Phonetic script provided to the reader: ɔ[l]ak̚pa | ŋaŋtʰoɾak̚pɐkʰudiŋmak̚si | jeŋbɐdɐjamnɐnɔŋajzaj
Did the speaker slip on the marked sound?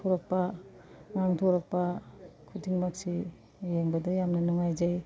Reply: yes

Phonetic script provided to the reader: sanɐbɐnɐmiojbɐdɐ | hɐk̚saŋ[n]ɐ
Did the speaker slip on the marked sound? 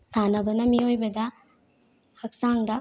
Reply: yes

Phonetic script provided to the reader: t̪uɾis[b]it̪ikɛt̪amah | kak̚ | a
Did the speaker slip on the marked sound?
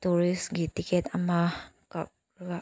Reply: yes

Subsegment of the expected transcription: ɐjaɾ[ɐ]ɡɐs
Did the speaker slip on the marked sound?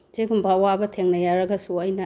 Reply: no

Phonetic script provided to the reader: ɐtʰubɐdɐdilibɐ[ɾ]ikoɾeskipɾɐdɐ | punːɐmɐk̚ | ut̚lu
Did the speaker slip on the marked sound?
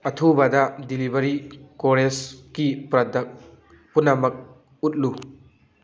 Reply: no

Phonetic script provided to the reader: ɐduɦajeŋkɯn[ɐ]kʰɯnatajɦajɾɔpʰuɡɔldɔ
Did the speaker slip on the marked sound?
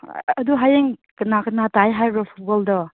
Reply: yes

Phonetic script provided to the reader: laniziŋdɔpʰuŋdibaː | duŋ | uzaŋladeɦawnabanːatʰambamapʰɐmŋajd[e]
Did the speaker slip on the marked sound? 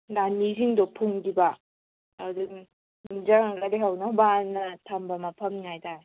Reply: yes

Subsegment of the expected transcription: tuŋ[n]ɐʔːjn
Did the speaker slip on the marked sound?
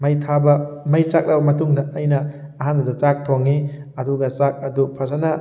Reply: yes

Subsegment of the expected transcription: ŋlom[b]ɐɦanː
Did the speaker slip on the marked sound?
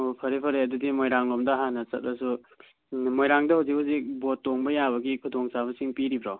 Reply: yes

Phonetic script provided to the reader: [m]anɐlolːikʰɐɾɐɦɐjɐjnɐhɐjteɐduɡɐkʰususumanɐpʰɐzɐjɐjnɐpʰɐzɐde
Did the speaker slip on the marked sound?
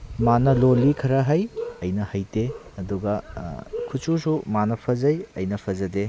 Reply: no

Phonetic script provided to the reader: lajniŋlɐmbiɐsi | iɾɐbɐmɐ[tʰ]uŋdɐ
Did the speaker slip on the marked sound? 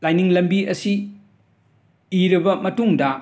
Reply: yes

